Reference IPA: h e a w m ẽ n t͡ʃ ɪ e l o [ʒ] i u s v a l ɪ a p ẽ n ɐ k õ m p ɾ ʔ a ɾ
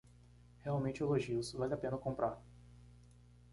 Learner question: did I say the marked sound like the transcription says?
yes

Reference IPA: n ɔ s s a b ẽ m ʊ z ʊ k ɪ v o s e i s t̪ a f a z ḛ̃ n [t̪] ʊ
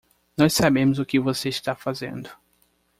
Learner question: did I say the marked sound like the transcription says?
no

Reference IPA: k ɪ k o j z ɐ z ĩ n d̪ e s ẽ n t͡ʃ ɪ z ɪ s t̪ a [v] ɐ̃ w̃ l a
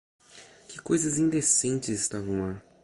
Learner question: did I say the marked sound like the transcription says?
yes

